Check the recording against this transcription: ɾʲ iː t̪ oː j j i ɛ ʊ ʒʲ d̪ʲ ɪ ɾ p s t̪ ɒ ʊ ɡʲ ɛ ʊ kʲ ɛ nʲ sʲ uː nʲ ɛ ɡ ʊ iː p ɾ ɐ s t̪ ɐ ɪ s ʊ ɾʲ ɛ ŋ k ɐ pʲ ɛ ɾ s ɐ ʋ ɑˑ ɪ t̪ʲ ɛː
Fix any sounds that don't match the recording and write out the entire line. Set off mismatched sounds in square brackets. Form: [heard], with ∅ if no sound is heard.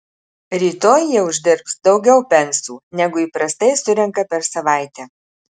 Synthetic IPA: ɾʲ iː t̪ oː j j i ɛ ʊ ʒʲ d̪ʲ ɪ ɾ p s [d̪] ɒ ʊ ɡʲ ɛ ʊ [pʲ] ɛ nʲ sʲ uː nʲ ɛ ɡ ʊ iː p ɾ ɐ s t̪ ɐ ɪ s ʊ ɾʲ ɛ ŋ k ɐ pʲ ɛ ɾ s ɐ ʋ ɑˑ ɪ t̪ʲ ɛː